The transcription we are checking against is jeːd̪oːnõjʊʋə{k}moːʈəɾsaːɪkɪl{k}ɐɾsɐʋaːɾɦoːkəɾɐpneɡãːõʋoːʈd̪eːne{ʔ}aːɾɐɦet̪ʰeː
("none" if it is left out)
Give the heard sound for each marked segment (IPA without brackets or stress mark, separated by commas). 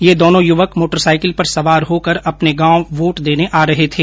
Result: k, p, ʔ